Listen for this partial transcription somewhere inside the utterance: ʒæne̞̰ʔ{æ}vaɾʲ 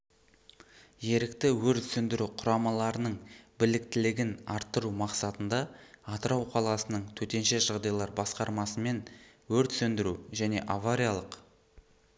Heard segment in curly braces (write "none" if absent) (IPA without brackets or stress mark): a